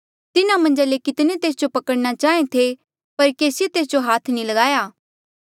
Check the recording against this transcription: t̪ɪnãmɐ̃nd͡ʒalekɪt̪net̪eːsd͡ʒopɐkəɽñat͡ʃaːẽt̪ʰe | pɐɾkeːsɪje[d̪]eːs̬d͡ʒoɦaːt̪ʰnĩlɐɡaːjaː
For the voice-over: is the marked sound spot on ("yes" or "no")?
no